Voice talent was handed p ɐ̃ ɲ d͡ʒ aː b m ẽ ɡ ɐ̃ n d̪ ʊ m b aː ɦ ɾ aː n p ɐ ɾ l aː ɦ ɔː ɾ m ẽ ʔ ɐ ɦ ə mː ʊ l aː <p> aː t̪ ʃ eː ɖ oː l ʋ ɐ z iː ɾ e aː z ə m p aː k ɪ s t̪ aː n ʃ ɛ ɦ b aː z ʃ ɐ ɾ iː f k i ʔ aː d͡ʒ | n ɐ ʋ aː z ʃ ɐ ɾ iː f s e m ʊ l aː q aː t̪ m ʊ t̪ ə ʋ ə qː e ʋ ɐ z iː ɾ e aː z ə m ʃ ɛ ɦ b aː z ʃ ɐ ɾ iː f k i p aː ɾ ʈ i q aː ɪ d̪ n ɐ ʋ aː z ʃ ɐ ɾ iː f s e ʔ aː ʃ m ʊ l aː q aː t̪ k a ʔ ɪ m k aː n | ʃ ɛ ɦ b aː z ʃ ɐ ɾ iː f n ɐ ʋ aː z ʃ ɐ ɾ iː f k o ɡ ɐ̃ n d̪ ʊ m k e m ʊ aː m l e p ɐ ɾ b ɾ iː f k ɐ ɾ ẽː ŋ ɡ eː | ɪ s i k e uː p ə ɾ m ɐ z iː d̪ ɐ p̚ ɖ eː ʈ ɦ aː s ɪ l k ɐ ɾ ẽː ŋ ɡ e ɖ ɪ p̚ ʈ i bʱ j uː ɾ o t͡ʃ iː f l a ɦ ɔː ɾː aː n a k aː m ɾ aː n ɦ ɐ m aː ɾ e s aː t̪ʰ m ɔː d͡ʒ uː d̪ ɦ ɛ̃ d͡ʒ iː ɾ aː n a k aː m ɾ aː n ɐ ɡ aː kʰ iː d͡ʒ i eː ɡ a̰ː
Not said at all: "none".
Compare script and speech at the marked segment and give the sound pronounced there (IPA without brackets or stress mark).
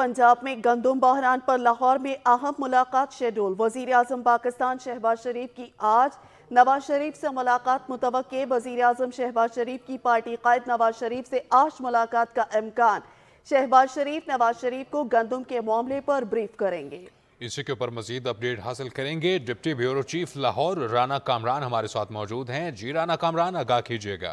q